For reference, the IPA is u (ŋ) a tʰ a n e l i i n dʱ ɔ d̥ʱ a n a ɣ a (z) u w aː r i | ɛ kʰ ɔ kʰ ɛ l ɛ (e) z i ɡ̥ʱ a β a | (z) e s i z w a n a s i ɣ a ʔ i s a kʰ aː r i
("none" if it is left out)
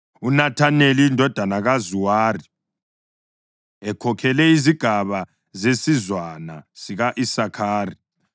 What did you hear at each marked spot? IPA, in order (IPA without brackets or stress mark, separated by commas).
n, z, i, z